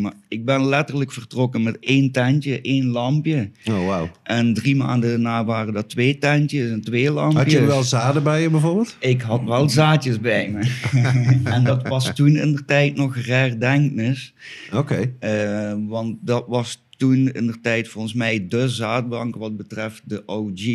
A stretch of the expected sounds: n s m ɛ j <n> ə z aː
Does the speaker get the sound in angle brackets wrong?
yes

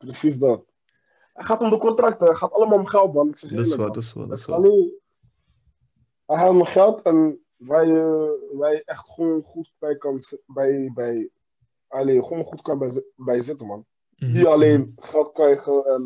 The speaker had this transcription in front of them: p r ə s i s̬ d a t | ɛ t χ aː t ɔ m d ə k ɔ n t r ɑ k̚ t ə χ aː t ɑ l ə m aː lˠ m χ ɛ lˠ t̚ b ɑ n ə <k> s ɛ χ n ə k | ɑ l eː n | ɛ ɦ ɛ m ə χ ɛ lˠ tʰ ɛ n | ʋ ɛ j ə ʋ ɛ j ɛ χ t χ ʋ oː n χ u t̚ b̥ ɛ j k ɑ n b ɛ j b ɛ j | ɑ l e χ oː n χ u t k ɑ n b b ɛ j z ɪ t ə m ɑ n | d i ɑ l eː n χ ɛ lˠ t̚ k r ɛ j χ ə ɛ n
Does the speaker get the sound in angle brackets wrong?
no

